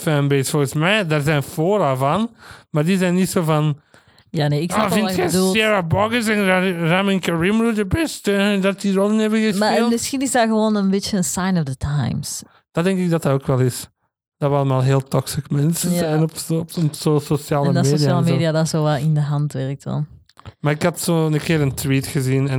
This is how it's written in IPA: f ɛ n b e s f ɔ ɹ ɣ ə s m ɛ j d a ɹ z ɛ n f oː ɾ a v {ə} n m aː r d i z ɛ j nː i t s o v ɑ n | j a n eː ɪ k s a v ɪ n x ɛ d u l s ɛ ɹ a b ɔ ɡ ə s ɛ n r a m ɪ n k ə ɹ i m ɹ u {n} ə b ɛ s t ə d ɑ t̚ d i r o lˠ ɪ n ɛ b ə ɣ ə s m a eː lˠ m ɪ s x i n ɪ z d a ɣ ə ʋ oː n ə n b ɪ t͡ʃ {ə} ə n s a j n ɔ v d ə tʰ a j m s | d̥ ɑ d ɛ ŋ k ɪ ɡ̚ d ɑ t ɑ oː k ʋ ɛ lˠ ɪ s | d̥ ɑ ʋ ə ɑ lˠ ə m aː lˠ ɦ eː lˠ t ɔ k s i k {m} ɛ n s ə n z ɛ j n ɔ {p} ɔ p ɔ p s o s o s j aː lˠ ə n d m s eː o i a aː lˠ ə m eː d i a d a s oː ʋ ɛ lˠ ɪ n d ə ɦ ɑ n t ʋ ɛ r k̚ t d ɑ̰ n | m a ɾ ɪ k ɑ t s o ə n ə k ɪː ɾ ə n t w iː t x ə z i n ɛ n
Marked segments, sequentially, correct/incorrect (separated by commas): incorrect, incorrect, correct, correct, correct